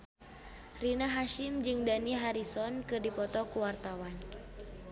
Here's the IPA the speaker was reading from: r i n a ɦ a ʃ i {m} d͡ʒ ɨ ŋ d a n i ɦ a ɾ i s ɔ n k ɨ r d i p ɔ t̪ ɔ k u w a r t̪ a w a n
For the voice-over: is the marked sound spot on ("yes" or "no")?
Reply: yes